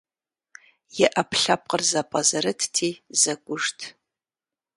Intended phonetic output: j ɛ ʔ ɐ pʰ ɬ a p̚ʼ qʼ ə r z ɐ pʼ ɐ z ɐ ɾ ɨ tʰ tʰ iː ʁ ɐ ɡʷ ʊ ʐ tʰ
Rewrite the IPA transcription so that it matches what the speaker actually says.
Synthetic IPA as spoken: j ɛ ʔ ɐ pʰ ɬ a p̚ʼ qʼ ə r z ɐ pʼ ɐ z ɐ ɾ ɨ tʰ tʰ iː z ɐ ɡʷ ʊ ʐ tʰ